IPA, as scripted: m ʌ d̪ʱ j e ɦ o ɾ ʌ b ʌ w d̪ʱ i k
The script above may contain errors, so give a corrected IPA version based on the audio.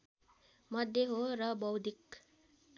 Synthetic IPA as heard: m ʌ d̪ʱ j e ɦ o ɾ ʌ b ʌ w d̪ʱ i k